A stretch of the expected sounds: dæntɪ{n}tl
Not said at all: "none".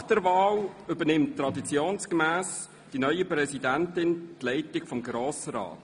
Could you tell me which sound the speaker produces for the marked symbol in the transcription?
n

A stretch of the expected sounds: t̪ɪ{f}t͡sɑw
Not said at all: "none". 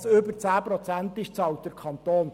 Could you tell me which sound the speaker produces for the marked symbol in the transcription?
ʃ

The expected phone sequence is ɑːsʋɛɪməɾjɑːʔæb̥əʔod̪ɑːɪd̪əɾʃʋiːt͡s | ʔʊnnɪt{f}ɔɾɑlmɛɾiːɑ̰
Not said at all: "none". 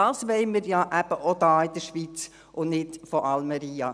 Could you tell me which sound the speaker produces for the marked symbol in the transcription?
f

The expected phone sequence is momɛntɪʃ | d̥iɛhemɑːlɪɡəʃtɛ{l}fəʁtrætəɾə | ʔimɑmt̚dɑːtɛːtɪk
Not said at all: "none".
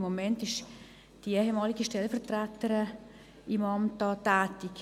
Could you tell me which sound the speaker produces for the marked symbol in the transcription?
l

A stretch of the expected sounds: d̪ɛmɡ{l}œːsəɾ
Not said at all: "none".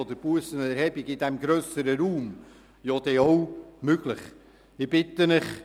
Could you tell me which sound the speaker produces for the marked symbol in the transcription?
ɾ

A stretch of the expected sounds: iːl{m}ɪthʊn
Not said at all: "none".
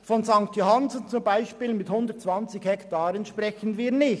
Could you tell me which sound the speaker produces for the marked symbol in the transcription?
m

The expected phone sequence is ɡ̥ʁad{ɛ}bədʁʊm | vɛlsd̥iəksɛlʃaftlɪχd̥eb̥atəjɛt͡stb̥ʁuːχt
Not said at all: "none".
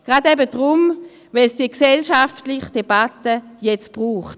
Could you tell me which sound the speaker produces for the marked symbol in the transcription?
ɛ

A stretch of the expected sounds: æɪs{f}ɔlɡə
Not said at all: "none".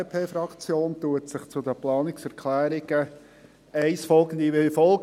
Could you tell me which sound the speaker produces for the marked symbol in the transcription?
f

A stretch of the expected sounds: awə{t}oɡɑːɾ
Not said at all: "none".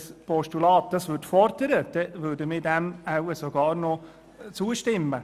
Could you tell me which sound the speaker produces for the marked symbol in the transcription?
s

